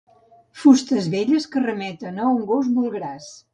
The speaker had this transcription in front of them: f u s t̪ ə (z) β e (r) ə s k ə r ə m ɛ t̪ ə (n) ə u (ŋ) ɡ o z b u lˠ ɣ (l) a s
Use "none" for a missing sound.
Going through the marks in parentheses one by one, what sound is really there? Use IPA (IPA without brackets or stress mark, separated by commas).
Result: z, ʎ, n, ŋ, ɾ